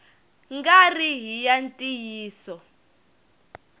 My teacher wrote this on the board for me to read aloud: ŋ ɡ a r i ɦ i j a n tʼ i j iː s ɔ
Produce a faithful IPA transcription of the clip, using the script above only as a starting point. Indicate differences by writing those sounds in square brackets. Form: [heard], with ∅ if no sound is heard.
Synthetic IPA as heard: ŋ ɡ a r i ɦ i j a n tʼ i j iː s ɔ